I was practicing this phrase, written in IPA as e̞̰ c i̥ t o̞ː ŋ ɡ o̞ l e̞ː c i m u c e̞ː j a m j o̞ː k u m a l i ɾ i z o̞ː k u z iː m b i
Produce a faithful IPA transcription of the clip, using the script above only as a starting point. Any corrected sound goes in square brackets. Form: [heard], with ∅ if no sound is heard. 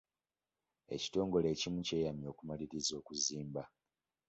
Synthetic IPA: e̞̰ c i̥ t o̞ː ŋ ɡ o̞ l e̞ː c i m u c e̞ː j a m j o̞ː k u m a l i ɾ i z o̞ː k u z iː m b [a]